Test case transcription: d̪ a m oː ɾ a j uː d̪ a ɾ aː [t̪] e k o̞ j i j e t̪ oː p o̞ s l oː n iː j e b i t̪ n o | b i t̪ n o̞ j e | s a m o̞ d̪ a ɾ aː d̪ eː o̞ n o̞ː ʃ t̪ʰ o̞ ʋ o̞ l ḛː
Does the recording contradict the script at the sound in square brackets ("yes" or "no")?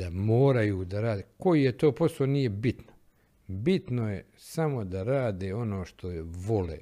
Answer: yes